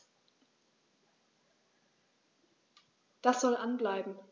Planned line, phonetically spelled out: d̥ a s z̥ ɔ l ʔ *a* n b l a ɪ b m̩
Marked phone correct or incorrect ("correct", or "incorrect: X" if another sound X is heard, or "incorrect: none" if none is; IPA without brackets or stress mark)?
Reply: correct